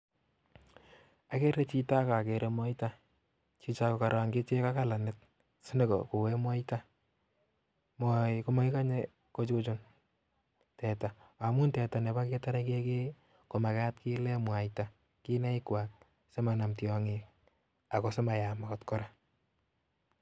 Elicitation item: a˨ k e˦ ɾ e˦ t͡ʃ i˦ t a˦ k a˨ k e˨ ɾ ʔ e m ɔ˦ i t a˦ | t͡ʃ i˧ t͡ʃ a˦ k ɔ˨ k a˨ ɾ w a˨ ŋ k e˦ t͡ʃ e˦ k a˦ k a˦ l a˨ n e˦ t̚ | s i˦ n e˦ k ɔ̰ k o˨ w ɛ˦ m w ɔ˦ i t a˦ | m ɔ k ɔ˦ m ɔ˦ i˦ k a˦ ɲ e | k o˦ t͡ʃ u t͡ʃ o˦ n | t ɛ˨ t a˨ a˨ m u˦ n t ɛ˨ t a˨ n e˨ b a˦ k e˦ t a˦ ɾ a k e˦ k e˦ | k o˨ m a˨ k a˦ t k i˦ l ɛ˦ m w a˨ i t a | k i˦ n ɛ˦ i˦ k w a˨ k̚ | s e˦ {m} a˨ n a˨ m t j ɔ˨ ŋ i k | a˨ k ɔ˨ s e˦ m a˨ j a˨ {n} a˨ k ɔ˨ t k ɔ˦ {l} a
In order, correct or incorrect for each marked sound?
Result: correct, incorrect, incorrect

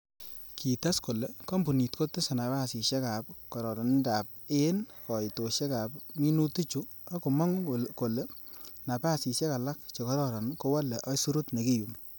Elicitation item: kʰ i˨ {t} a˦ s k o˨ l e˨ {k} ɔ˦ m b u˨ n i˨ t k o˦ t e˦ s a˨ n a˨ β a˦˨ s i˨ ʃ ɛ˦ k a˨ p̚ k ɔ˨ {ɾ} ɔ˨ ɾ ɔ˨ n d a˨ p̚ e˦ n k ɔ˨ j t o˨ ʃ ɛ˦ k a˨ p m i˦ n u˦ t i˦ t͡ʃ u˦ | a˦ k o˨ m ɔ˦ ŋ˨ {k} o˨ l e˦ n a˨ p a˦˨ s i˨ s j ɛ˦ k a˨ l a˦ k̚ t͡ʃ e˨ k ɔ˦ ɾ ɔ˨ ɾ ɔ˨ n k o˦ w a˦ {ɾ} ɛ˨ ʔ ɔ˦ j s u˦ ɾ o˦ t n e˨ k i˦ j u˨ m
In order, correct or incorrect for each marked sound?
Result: correct, correct, correct, correct, incorrect

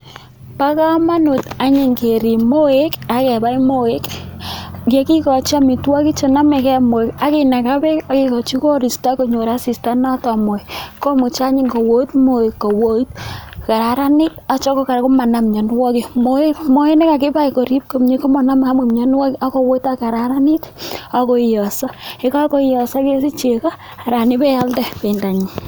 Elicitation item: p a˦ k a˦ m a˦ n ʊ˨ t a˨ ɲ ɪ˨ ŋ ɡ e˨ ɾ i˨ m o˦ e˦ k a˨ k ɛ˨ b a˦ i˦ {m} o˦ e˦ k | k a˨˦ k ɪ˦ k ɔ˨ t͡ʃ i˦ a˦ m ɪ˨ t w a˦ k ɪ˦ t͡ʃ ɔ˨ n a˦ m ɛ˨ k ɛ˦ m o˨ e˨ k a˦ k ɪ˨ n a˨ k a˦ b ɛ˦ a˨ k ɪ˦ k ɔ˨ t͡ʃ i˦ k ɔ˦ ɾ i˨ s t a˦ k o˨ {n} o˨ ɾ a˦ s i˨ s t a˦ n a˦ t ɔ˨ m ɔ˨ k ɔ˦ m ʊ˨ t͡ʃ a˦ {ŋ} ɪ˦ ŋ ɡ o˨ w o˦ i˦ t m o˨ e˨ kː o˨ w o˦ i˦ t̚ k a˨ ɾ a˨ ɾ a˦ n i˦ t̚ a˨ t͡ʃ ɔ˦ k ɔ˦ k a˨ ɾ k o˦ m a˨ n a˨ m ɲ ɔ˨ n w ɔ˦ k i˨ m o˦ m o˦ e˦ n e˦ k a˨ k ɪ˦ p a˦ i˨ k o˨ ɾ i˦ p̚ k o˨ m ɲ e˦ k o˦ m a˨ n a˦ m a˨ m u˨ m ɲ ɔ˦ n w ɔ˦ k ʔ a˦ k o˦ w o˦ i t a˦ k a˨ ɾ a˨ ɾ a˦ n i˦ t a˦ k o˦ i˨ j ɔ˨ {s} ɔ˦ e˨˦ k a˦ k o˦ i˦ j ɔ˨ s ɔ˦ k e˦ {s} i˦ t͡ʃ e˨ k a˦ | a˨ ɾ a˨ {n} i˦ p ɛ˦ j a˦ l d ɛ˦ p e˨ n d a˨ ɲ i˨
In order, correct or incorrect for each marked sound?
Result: correct, incorrect, incorrect, correct, correct, correct

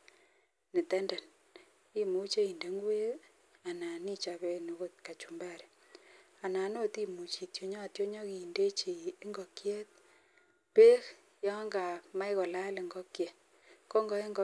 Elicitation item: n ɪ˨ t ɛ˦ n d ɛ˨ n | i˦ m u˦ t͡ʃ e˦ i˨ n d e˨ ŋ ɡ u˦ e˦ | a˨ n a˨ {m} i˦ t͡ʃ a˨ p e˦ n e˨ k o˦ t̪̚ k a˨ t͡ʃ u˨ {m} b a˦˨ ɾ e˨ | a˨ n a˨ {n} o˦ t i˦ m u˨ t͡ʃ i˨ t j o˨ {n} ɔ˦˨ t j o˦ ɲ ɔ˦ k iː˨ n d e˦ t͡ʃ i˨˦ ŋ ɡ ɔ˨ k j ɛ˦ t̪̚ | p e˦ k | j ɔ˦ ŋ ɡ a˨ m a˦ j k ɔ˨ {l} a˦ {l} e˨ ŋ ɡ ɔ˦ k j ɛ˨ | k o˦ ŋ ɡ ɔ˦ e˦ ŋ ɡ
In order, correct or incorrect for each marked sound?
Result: incorrect, correct, correct, incorrect, correct, correct

